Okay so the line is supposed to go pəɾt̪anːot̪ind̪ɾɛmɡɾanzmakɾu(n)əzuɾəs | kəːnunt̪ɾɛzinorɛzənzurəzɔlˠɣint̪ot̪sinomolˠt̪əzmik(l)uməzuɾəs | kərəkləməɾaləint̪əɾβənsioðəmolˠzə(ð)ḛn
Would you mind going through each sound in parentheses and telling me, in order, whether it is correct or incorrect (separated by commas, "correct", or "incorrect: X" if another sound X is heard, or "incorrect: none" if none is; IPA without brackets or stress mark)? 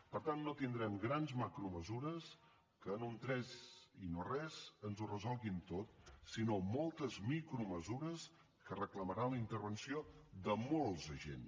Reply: incorrect: m, incorrect: ɾ, incorrect: ʒ